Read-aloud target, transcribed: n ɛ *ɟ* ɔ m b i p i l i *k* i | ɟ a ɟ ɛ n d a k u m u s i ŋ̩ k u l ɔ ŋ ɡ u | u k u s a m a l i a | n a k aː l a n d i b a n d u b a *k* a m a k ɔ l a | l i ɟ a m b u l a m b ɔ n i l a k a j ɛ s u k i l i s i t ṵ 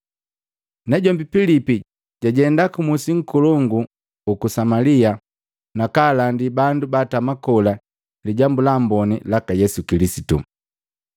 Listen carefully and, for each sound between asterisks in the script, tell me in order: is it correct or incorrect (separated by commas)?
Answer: correct, incorrect, incorrect